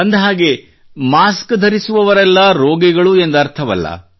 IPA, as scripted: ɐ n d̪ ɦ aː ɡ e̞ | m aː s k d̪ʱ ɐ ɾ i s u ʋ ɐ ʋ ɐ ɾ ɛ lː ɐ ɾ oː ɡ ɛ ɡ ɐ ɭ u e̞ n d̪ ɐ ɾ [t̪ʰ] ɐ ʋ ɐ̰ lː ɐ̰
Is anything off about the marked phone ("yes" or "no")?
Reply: no